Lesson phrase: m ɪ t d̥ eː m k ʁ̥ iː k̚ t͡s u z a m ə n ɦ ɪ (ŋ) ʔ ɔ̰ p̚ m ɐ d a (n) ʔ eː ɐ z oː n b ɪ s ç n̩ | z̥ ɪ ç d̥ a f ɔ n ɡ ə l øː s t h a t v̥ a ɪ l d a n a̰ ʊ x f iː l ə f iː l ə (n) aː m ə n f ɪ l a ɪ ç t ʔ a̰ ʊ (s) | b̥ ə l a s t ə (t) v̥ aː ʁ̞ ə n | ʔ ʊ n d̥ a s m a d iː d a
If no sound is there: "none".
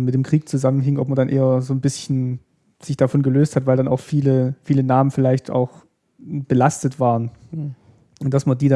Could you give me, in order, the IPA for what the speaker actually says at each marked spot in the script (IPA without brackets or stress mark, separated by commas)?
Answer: ŋ, n, n, x, t